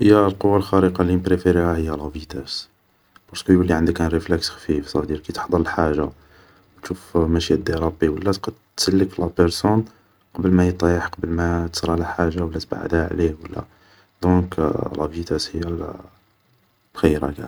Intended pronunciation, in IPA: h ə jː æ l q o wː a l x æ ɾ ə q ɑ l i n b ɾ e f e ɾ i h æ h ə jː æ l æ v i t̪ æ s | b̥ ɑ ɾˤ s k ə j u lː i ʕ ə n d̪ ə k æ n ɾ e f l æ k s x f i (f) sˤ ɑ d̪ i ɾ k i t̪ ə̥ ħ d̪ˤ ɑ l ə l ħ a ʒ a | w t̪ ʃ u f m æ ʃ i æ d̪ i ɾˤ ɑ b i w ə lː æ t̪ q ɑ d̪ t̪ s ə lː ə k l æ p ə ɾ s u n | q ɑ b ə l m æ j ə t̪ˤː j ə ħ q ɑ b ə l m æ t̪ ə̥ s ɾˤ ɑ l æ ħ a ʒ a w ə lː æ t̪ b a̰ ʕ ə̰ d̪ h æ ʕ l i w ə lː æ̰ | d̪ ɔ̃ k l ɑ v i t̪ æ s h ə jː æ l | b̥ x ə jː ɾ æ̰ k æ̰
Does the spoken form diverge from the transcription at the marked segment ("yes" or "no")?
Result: no